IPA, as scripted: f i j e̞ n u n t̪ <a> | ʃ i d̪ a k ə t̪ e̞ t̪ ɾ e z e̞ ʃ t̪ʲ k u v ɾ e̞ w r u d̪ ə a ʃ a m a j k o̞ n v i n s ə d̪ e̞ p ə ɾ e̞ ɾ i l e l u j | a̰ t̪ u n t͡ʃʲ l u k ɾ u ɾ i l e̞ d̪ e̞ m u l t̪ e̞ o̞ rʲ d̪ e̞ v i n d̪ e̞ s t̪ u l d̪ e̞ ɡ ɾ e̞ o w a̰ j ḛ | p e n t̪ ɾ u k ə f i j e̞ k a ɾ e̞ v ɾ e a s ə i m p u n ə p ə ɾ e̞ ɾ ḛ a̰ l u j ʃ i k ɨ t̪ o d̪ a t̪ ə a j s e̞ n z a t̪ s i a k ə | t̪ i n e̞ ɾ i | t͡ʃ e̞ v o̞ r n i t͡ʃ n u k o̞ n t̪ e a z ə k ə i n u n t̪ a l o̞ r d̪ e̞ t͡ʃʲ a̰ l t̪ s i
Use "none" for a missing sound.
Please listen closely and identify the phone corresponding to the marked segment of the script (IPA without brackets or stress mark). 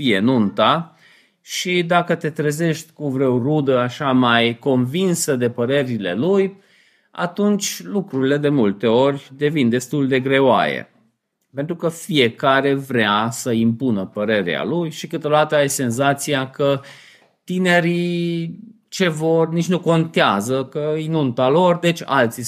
a